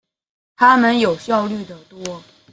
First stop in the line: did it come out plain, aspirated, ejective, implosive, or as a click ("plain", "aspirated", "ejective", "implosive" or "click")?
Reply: aspirated